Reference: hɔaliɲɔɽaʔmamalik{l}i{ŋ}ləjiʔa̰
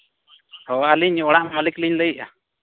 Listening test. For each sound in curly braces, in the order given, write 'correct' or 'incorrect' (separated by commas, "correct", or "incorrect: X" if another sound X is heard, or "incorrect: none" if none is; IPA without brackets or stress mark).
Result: correct, incorrect: ɲ